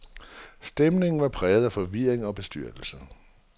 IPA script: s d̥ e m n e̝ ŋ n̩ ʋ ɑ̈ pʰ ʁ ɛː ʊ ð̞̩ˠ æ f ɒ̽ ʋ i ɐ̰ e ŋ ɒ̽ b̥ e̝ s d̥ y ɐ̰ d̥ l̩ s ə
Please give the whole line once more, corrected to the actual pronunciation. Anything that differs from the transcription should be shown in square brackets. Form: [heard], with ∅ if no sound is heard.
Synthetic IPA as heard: s d̥ e m n e̝ ŋ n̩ ʋ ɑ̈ pʰ ʁ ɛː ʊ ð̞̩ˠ æ f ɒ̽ ʋ i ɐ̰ e ŋ ɒ̽ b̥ e̝ s d̥ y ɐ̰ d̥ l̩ s ə